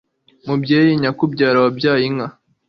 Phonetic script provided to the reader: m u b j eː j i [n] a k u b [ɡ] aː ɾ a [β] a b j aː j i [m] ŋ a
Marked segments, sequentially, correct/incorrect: incorrect, incorrect, incorrect, incorrect

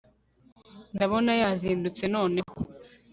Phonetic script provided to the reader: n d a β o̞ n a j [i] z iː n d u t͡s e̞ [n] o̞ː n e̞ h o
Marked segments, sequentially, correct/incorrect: incorrect, correct

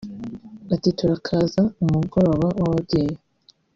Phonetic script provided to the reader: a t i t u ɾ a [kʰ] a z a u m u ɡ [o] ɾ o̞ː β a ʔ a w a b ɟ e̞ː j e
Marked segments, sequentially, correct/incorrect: correct, correct

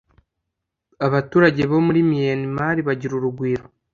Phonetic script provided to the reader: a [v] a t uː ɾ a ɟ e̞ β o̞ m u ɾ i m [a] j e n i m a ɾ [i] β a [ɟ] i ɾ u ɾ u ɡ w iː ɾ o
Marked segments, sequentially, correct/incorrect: incorrect, incorrect, correct, correct

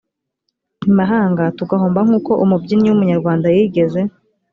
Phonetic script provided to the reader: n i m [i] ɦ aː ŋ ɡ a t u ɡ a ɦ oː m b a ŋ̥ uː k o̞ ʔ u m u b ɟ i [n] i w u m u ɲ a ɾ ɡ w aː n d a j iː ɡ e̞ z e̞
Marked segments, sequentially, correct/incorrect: incorrect, correct

